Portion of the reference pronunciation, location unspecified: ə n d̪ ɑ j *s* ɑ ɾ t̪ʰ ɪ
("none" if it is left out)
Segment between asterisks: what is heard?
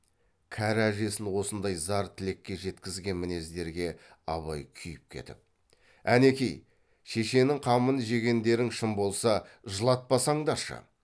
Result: z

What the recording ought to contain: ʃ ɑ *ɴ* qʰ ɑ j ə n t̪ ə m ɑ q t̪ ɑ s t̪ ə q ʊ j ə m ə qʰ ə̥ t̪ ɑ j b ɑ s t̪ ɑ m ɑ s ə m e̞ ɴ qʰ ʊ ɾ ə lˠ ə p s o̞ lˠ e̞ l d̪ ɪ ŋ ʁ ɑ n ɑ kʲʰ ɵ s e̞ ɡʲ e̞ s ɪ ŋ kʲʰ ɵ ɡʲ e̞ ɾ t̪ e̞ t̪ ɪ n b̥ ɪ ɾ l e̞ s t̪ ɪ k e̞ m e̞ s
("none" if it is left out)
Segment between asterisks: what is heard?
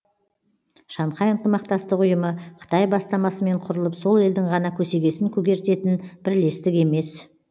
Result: ɴ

